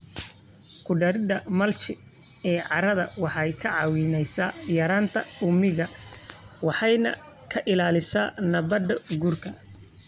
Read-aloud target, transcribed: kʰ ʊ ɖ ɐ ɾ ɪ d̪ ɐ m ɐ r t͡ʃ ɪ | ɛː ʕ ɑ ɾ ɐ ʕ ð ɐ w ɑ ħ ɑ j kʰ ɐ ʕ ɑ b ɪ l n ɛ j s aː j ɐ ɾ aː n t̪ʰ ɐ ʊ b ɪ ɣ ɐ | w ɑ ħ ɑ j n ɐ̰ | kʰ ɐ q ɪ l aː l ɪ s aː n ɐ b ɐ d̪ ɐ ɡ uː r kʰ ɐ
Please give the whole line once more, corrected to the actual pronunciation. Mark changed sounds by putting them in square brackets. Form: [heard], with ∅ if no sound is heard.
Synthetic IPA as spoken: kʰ ʊ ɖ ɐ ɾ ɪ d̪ ɐ m ɐ [l] t͡ʃ ɪ | ɛː ʕ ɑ ɾ ɐ [∅] ð ɐ w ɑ ħ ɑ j kʰ ɐ ʕ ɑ [w] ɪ [∅] n ɛ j s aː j ɐ ɾ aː n t̪ʰ ɐ ʊ [m] ɪ ɣ ɐ | w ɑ ħ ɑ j n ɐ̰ | kʰ ɐ [ʔ] ɪ l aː l ɪ s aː n ɐ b ɐ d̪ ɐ ɡ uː r kʰ ɐ